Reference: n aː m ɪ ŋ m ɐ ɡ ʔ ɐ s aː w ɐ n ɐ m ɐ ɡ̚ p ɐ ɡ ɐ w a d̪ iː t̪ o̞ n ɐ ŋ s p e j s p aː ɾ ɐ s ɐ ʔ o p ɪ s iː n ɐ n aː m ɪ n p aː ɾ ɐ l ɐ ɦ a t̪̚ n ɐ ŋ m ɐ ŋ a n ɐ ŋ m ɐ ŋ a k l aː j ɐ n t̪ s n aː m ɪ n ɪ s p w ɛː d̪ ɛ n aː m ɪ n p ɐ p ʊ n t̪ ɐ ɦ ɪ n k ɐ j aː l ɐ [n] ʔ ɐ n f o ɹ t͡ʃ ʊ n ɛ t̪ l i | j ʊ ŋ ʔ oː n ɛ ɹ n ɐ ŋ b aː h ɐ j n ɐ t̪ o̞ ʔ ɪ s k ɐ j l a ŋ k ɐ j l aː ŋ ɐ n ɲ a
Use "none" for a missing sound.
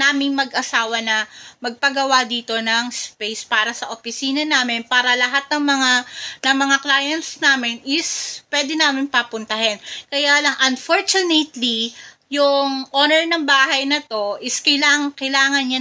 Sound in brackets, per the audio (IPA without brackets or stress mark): ŋ